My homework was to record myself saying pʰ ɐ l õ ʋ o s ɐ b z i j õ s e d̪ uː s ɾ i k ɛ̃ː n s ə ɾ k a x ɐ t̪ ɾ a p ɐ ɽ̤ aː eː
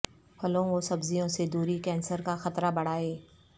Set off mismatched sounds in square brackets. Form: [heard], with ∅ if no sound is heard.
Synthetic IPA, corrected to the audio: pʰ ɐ l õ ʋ o s ɐ b z i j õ s e d̪ uː [∅] ɾ i k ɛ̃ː n s ə ɾ k a x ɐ t̪ ɾ a [b] ɐ ɽ̤ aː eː